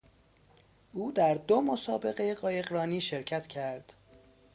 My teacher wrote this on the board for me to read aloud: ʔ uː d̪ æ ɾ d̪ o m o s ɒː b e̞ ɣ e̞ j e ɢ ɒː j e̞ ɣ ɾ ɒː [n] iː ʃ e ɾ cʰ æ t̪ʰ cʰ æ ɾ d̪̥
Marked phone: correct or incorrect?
correct